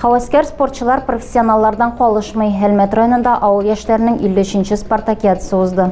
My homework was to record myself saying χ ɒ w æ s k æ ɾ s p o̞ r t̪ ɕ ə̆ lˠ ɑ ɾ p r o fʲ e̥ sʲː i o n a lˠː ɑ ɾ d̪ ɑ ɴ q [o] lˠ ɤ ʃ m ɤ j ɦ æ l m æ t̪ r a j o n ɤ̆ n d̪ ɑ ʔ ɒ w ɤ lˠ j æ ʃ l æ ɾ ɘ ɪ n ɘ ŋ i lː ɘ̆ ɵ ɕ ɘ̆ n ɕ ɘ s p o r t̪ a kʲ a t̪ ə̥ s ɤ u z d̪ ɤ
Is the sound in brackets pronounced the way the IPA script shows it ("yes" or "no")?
no